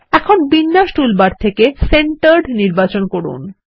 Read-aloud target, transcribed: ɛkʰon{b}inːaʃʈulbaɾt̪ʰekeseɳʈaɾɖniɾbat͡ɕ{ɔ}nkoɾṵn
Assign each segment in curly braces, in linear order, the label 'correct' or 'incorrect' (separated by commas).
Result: correct, incorrect